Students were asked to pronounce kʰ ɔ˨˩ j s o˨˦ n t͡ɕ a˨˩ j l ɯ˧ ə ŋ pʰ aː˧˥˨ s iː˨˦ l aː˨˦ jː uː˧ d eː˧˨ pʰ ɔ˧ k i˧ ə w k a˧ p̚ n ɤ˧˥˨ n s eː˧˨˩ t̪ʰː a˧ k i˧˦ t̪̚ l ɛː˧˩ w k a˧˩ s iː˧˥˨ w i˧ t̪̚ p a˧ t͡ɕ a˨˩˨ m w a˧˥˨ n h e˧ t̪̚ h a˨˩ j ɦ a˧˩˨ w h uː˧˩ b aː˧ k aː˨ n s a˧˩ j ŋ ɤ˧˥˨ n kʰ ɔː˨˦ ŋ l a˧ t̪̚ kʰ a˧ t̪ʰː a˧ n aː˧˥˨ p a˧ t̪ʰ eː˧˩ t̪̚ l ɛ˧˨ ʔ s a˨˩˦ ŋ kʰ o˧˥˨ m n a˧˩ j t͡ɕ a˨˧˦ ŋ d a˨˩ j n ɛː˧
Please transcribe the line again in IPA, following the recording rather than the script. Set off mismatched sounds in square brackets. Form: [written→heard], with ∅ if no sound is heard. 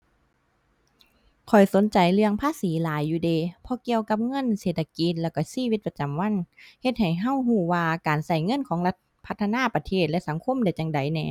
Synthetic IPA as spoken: kʰ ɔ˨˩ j s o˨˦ n t͡ɕ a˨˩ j l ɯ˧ ə ŋ pʰ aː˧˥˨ s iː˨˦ l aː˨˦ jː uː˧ d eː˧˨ pʰ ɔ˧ k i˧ ə w k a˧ p̚ [n→ŋ] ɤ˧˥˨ n s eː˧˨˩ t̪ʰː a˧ k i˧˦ t̪̚ l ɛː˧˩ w k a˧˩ s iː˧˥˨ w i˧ t̪̚ p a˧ t͡ɕ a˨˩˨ m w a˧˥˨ n h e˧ t̪̚ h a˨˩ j ɦ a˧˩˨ w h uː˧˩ [b→w] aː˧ k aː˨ n s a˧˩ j ŋ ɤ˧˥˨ n kʰ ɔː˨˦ ŋ l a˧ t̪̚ [kʰ→pʰ] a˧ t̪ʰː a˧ n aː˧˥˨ p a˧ t̪ʰ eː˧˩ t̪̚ l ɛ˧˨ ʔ s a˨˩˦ ŋ kʰ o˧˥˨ m [n→d] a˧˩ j t͡ɕ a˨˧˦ ŋ d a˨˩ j n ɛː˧

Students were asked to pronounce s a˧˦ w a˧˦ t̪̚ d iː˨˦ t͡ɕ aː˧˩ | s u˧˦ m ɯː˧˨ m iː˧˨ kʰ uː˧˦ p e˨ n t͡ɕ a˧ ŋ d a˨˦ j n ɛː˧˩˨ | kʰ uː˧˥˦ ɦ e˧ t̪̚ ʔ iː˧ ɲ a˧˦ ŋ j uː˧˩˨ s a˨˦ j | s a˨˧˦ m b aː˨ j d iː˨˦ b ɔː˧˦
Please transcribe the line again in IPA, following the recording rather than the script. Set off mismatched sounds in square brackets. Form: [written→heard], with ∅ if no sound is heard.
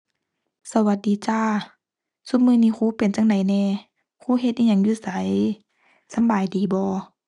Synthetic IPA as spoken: s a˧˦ w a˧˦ t̪̚ d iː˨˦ t͡ɕ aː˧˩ | s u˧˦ m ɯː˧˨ [m→n] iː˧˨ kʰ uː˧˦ p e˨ n t͡ɕ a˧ ŋ d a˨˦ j n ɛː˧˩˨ | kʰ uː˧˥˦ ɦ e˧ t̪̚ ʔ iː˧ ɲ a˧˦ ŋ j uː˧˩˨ s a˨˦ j | s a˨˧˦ m b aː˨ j d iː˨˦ b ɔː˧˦

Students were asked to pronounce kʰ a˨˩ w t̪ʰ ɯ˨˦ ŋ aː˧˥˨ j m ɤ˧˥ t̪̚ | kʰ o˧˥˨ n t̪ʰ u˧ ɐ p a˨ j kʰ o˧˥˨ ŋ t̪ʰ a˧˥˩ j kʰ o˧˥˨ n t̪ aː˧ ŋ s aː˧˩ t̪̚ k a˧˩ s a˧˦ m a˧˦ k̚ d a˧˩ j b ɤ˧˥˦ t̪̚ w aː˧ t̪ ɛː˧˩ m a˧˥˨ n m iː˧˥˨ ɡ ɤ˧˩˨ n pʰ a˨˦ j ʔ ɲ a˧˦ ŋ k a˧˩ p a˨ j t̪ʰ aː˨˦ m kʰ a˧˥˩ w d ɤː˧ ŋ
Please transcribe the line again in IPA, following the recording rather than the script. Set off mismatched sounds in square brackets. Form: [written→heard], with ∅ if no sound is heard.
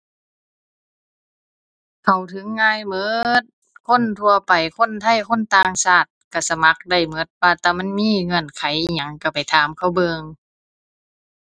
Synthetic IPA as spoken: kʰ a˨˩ w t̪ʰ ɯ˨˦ [ŋ→ŋː] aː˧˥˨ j m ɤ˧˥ t̪̚ | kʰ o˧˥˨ n t̪ʰ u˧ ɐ p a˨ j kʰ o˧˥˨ [ŋ→n] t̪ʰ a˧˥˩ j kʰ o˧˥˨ n t̪ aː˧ ŋ s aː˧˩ t̪̚ k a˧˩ s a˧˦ m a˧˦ k̚ d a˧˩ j [b→m] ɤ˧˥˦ t̪̚ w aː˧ t̪ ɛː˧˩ m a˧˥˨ n m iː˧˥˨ [ɡ→ŋ] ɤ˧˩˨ n [pʰ→kʰ] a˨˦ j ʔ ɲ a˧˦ ŋ k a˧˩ p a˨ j t̪ʰ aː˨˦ m kʰ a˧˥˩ w [d→b] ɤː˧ ŋ

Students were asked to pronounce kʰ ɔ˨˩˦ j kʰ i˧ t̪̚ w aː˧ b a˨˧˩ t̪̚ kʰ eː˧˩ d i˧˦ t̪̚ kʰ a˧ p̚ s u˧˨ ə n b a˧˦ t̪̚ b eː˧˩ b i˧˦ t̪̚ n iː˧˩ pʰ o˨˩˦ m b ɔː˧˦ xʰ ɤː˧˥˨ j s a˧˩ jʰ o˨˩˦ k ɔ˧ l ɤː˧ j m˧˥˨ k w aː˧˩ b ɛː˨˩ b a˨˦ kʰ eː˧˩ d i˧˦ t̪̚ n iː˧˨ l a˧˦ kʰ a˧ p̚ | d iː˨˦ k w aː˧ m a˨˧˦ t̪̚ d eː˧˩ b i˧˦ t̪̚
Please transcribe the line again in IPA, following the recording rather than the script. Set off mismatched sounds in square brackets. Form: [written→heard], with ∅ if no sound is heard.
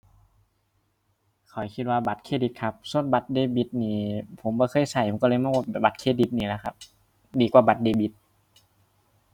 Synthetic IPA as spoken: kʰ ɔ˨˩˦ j kʰ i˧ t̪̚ w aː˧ b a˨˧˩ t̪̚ kʰ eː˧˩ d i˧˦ t̪̚ kʰ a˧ p̚ s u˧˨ ə n b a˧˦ t̪̚ [b→d] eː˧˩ b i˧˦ t̪̚ n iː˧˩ pʰ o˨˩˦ m b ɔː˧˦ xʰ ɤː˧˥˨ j s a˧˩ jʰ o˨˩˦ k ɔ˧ l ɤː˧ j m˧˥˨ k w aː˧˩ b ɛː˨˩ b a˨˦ kʰ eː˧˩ d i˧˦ t̪̚ n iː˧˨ l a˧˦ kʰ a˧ p̚ | d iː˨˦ k w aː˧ [m→b] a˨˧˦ t̪̚ d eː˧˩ b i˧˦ t̪̚

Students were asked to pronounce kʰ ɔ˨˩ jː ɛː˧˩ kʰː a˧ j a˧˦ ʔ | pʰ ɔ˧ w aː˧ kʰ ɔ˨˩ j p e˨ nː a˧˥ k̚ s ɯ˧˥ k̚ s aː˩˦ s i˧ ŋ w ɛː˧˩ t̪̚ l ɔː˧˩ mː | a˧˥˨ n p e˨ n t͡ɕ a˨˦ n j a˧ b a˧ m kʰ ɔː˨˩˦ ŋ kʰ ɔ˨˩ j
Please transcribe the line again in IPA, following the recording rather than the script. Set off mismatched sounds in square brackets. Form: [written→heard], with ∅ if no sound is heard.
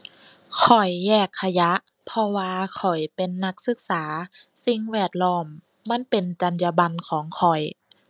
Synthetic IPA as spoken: kʰ ɔ˨˩ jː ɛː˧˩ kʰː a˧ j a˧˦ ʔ | pʰ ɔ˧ w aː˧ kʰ ɔ˨˩ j p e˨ nː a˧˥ k̚ s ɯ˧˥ k̚ s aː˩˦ s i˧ ŋ w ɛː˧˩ t̪̚ l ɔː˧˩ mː | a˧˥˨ n p e˨ n t͡ɕ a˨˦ n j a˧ b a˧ [m→n] kʰ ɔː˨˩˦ ŋ kʰ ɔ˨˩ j

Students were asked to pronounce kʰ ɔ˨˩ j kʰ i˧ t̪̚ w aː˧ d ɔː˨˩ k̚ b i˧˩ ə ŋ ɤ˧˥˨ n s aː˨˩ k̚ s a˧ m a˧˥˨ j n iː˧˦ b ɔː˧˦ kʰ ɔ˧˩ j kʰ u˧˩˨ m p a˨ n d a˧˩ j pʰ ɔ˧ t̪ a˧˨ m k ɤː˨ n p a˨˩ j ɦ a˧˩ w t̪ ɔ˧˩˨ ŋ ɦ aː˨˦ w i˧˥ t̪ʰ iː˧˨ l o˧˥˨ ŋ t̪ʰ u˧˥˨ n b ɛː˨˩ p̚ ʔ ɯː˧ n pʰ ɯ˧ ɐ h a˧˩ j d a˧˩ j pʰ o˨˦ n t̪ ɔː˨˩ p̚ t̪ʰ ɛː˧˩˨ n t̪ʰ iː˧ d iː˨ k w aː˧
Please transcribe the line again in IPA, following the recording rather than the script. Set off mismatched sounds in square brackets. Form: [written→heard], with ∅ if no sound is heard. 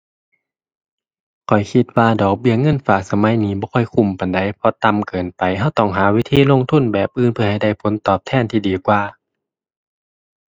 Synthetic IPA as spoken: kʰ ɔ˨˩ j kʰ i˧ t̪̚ w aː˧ d ɔː˨˩ k̚ b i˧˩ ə ŋ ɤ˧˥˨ n [s→f] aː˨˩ k̚ s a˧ m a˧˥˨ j n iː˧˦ b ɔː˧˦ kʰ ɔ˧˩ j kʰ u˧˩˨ m p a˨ n d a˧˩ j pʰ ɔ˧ t̪ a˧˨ m k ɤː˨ n p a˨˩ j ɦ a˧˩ w t̪ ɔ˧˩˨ ŋ ɦ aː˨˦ w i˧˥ t̪ʰ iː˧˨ l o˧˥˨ ŋ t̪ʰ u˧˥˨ n b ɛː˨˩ p̚ ʔ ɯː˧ n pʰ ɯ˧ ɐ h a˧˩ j d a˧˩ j pʰ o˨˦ n t̪ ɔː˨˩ p̚ t̪ʰ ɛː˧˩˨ n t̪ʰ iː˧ d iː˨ k w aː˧

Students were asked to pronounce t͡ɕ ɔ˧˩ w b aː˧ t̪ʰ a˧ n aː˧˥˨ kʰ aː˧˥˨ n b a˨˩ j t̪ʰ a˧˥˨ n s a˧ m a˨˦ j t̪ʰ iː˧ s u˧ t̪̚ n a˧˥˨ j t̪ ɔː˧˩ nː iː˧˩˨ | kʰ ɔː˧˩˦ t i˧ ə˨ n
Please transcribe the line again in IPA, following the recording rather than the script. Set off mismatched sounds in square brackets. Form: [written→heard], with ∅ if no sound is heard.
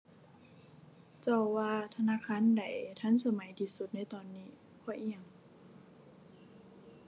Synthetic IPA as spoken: t͡ɕ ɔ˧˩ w [b→w] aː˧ t̪ʰ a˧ n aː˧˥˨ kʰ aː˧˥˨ n [b→d] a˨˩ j t̪ʰ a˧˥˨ n s a˧ m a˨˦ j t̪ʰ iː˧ s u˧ t̪̚ n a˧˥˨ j t̪ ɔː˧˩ nː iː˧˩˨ | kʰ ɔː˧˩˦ [t→ʔ] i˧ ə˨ [n→ŋ]

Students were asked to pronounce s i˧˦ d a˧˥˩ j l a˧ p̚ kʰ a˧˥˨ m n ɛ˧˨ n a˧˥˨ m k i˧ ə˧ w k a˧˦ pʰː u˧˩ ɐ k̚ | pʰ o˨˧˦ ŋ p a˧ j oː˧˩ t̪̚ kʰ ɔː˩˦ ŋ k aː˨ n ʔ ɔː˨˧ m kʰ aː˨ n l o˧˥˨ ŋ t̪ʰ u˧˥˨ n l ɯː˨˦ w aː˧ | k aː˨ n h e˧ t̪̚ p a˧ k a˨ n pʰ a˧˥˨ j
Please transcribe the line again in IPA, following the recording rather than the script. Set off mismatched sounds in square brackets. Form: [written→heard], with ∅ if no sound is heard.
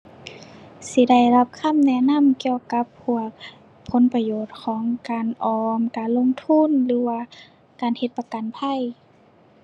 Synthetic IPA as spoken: s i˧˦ d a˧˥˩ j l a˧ p̚ kʰ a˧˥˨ m n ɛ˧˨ n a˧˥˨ m k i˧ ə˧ w k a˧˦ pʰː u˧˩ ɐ k̚ | pʰ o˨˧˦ [ŋ→n] p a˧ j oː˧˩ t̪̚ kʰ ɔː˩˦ ŋ k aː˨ n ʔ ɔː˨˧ m [kʰ→k] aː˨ n l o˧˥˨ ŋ t̪ʰ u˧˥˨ n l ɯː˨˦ w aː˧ | k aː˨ n h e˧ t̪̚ p a˧ k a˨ n pʰ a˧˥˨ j

